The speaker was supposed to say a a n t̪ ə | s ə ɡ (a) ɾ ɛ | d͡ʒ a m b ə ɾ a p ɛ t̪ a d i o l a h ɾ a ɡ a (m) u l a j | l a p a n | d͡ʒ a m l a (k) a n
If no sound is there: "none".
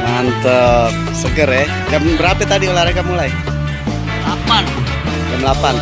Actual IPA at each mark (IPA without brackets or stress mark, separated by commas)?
ə, m, p